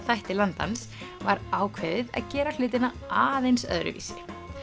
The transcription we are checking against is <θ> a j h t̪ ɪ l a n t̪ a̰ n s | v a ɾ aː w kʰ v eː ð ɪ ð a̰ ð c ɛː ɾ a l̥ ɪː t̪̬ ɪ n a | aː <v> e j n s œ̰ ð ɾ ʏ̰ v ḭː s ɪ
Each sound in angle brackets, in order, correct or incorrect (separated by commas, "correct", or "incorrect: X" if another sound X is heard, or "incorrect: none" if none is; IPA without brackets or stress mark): correct, incorrect: ð